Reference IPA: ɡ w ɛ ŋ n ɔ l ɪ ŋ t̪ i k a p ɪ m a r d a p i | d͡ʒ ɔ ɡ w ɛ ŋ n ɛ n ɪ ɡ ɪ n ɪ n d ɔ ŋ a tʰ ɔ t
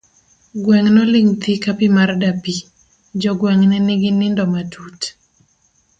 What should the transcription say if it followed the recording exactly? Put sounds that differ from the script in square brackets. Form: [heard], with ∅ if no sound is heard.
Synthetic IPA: ɡ w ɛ ŋ n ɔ l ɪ ŋ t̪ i k a p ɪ m a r d a p i | d͡ʒ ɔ ɡ w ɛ ŋ n ɛ n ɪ ɡ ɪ n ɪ n d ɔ [m] a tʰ [u] t